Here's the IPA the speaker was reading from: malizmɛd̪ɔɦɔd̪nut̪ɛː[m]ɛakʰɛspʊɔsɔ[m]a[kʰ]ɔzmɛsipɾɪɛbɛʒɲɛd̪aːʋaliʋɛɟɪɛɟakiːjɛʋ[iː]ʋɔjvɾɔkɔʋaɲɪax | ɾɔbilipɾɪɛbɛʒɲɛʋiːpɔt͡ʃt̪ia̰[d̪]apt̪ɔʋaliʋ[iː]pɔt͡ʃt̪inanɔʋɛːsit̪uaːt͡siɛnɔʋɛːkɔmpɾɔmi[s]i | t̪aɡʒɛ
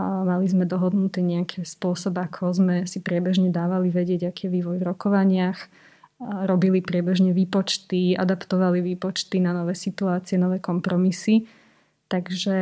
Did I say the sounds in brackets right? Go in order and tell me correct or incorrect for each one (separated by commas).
incorrect, incorrect, correct, correct, correct, correct, correct